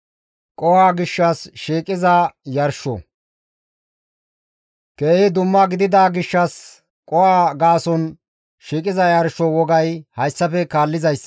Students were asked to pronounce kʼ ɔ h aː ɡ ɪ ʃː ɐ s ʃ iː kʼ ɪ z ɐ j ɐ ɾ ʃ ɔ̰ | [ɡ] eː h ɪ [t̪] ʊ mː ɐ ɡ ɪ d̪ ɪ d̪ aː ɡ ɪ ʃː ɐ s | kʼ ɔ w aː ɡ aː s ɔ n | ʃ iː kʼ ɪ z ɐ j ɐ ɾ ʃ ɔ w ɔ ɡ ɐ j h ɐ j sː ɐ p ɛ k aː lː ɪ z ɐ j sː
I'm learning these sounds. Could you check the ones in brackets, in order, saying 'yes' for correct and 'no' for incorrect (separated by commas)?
no, no